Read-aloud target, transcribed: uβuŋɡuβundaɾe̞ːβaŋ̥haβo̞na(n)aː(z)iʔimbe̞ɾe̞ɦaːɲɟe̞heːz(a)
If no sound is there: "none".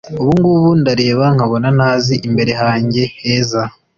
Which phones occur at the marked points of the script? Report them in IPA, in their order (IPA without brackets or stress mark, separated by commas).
n, z, a